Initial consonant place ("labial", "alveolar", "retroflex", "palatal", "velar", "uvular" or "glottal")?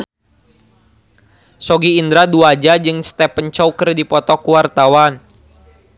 alveolar